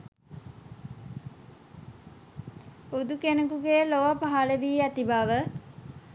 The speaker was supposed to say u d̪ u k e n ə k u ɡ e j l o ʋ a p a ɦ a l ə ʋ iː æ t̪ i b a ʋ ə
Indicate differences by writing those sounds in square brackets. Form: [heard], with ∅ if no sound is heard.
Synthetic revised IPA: u d̪ u k e n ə k u ɡ e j l o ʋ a p a ɦ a l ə ʋ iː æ t̪ i b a ʋ ə